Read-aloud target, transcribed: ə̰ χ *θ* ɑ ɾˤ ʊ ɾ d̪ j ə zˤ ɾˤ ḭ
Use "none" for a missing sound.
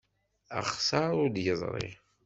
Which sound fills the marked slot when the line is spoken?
s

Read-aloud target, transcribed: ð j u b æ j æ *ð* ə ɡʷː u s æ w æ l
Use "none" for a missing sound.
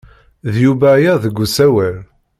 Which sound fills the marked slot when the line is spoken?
ð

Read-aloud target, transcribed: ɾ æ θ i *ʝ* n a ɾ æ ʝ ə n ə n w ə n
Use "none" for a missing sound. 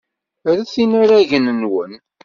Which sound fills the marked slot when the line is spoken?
none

